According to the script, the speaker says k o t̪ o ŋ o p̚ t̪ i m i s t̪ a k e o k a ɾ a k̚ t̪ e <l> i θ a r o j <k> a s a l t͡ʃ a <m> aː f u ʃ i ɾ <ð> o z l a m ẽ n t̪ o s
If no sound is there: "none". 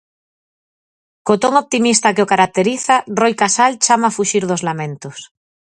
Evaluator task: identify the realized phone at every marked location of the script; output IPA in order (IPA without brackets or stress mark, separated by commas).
ɾ, k, m, ð